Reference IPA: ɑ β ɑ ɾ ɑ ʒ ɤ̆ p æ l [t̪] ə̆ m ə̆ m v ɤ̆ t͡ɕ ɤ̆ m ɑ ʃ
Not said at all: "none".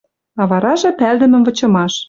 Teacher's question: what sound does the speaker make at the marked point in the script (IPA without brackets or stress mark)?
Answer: d̪